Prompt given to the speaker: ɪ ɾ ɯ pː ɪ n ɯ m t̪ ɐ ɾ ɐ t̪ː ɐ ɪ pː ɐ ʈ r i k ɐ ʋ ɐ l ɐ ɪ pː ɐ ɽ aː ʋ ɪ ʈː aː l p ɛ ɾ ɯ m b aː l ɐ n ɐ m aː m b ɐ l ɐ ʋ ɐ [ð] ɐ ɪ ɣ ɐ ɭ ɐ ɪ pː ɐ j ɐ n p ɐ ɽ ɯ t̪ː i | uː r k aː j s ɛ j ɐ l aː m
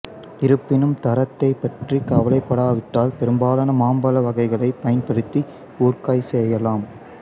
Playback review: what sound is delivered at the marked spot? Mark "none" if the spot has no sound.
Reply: ɣ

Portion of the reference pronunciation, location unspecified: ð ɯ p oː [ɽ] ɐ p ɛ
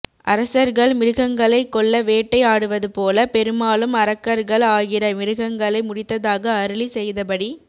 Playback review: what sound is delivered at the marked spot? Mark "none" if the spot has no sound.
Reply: l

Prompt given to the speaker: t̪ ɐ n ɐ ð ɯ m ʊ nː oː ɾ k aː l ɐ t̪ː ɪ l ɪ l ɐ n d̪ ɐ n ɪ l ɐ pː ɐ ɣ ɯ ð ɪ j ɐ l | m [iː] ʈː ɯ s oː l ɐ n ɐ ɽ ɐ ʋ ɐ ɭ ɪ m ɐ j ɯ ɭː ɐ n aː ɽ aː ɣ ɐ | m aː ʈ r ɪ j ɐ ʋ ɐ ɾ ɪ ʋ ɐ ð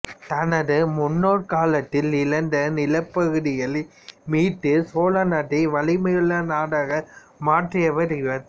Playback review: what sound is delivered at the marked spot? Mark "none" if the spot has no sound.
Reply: iː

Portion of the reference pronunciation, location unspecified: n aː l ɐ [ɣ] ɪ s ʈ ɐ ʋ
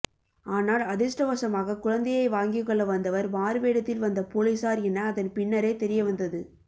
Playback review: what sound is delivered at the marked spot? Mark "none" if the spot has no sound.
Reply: ð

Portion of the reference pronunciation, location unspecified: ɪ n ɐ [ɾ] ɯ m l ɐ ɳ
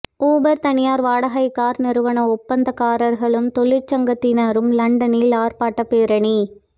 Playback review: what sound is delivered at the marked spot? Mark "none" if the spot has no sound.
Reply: ɾ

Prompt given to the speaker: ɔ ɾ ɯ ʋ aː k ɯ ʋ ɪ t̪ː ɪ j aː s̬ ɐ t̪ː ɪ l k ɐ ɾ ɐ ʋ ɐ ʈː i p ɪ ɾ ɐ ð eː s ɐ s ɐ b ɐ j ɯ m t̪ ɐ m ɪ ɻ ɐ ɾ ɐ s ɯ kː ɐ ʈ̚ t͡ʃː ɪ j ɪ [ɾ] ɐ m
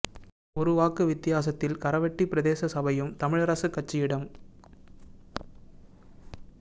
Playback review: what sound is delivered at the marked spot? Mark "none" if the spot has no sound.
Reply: ɽ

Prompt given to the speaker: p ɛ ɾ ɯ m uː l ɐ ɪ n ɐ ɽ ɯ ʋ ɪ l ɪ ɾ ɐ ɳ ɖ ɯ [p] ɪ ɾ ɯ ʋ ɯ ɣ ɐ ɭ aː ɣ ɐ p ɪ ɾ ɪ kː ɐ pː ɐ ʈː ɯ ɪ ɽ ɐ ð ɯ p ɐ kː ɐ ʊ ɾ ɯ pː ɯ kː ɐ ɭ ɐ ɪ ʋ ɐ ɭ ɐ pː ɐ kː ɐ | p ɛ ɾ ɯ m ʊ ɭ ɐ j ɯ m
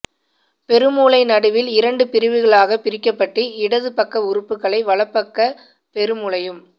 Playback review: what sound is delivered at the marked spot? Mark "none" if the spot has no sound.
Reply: p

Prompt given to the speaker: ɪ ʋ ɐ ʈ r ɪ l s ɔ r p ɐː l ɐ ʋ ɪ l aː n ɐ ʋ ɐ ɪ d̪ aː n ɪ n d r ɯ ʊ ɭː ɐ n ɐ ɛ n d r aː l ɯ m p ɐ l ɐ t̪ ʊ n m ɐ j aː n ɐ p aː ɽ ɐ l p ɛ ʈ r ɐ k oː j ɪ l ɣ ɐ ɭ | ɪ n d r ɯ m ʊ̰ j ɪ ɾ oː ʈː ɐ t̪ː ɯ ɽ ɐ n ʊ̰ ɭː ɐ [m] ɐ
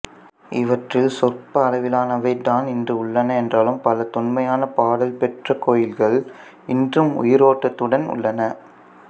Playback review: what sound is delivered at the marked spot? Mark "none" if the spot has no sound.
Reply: n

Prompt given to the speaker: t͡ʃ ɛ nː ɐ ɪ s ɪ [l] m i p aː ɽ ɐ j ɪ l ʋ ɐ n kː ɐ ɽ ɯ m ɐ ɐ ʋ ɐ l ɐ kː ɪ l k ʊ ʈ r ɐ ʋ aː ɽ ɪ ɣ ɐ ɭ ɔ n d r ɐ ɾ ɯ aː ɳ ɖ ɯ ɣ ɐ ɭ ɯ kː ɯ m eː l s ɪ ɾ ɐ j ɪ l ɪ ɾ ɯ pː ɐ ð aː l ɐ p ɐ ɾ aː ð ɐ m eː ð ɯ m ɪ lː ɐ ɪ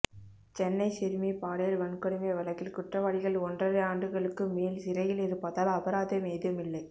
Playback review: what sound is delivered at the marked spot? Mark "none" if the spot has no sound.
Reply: ɾ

